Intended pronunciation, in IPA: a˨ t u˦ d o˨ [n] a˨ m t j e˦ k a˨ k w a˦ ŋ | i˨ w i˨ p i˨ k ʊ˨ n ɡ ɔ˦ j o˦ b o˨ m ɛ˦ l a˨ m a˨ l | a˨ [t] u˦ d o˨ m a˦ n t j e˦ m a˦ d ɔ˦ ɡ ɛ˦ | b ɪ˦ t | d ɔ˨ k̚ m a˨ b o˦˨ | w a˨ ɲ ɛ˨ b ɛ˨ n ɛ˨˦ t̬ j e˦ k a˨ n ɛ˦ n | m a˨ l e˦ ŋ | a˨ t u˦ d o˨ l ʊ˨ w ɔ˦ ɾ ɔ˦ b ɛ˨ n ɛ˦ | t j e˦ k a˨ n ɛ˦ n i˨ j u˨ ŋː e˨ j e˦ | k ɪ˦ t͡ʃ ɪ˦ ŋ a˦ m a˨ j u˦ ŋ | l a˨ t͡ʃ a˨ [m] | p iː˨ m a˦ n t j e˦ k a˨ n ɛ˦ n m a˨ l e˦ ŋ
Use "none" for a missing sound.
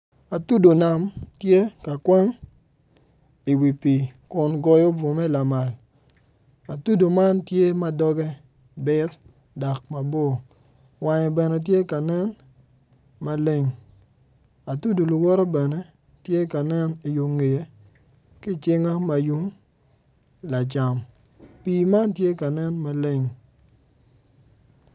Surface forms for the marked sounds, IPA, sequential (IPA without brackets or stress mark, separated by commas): n, t, m